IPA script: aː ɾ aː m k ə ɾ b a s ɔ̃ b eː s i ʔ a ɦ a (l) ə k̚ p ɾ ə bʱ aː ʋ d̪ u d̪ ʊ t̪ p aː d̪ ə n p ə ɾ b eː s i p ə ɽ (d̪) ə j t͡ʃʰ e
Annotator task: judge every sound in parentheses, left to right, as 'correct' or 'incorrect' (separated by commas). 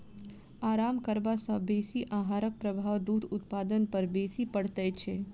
incorrect, incorrect